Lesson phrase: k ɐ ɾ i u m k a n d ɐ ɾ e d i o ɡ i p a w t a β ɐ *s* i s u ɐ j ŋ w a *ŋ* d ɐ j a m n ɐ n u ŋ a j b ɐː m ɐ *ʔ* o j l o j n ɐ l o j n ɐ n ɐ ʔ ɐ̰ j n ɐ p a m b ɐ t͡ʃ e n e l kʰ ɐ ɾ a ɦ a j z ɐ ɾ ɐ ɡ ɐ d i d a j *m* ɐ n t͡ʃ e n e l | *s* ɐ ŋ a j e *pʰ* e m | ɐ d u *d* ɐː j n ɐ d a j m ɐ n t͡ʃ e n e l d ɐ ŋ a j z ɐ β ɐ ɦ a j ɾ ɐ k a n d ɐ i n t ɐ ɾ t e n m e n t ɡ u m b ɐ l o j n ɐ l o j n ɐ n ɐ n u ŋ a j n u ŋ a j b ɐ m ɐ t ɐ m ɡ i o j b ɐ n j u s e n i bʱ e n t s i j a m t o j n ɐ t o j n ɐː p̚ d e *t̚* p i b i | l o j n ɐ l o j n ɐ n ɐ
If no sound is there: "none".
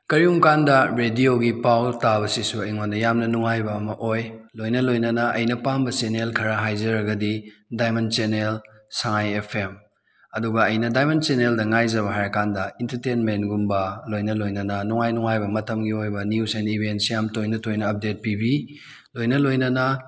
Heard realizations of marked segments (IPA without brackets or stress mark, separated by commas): s, n, ʔ, m, s, pʰ, ɡ, t̚